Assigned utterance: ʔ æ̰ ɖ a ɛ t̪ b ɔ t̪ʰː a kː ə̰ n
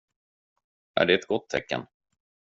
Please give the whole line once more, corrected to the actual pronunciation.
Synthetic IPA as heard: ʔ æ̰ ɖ ɛ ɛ t̪ ɡ ɔ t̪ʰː ɛ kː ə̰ n

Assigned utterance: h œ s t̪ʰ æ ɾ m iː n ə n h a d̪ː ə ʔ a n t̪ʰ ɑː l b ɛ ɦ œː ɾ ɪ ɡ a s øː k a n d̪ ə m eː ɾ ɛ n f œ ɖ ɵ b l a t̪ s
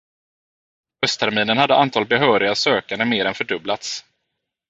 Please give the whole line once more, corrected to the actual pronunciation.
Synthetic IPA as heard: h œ s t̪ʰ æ ɾ m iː n ə n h a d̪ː ə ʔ a n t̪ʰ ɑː l b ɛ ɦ œː ɾ ɪ ɡ a s øː k a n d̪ ə m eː ɾ ɛ n f œ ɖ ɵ b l a t̪ s

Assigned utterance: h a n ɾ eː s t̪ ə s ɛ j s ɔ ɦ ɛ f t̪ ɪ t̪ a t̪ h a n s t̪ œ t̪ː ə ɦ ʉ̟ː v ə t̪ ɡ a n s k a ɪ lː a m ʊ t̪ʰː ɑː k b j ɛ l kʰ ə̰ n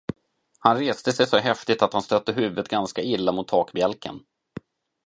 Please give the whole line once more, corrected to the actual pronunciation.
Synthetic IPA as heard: h a n ɾ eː s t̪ ə s ɛ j s ɔ ɦ ɛ f t̪ ɪ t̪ a t̪ h a n s t̪ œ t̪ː ə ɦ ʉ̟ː v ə t̪ ɡ a n s k a ɪ lː a m ʊ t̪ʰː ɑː k b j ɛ l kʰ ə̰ n

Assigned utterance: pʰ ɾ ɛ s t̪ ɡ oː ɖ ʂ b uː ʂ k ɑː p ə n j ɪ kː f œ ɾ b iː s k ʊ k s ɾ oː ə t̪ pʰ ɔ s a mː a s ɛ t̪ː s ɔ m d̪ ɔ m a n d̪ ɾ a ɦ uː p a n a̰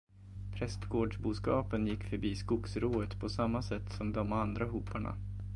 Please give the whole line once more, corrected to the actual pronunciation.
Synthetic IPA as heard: pʰ ɾ ɛ s t̪ ɡ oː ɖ ʂ b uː s k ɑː p ə n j ɪ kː f œ ɾ b iː s k ʊ k s ɾ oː ə t̪ pʰ ɔ s a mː a s ɛ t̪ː s ɔ m d̪ ɔ m a n d̪ ɾ a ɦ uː p a ɳ a̰

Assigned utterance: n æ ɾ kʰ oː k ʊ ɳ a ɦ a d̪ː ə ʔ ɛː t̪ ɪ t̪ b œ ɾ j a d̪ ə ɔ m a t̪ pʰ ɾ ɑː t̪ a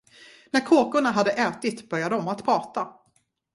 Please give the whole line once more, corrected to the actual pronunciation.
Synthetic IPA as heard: n æ ɾ kʰ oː k ʊ ɳ a ɦ a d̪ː ə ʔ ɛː t̪ ɪ t̪ b œ ɾ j a d̪ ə ɔ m a t̪ pʰ ɾ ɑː t̪ a

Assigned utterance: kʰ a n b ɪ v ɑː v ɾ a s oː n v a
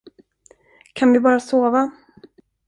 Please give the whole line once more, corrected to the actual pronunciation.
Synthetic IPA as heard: kʰ a n v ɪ b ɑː ɾ a s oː v a

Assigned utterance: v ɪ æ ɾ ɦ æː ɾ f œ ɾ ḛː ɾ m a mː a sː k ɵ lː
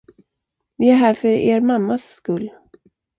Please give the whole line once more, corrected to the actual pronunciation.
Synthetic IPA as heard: v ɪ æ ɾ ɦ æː ɾ f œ ɾ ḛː ɾ m a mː a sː k ɵ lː

